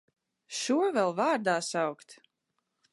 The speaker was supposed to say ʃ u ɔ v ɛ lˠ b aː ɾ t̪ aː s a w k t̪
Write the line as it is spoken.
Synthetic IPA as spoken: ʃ u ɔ v ɛ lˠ v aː ɾ d̪ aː s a w k t̪